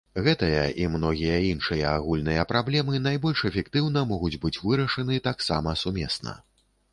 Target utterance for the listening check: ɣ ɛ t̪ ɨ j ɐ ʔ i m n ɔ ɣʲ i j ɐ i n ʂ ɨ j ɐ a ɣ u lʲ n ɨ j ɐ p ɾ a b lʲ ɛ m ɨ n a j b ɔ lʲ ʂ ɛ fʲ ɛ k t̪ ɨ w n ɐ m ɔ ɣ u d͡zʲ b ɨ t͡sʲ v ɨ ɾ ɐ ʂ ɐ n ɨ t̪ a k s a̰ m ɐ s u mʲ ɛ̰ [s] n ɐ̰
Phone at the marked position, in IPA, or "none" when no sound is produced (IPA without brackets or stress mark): s